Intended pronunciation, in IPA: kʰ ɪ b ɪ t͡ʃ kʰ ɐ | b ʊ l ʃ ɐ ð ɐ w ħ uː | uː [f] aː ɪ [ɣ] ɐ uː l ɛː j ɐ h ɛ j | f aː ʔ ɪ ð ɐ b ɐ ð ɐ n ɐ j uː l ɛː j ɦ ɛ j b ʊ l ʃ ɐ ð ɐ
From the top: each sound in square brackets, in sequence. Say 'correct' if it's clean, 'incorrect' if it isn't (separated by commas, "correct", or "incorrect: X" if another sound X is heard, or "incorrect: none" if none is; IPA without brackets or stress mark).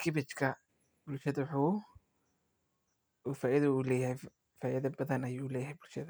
correct, incorrect: ð